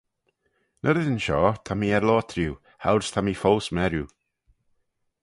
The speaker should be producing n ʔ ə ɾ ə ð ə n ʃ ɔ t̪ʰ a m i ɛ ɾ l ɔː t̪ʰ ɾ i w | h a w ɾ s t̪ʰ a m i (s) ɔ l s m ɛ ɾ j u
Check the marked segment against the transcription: incorrect: f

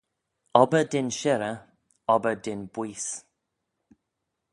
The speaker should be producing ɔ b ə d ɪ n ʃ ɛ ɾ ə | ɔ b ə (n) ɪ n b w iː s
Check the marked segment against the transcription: incorrect: d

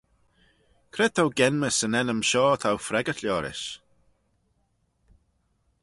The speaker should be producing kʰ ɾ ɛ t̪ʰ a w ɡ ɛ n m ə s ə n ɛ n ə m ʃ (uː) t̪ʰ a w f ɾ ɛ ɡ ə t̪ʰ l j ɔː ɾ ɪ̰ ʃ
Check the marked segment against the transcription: incorrect: ɔː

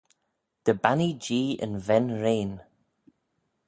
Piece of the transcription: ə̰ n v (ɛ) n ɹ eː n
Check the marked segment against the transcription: correct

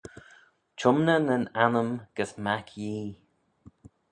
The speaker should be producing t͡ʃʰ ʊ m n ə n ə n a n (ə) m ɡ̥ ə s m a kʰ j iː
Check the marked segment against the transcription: correct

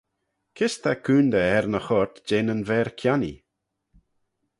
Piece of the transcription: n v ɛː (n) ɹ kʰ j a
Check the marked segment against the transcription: incorrect: none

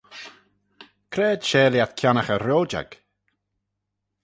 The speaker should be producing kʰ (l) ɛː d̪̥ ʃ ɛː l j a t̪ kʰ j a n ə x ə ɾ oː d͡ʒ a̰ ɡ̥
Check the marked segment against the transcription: incorrect: ɾ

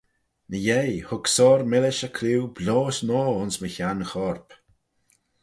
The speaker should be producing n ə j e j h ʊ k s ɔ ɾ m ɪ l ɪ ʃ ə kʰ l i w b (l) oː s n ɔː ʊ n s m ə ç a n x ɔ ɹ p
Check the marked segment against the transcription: correct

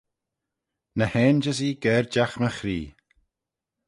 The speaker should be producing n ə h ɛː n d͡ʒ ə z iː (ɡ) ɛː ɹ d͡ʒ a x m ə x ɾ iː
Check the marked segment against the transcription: correct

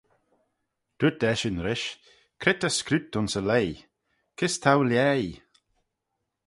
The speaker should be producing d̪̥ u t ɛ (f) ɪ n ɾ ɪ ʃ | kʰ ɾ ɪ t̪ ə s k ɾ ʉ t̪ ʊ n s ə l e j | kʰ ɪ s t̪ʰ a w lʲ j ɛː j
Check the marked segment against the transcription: incorrect: ʃ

